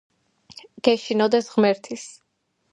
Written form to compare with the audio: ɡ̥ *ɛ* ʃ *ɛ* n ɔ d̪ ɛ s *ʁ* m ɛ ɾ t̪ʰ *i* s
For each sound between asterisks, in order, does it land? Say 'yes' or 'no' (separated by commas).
yes, no, yes, yes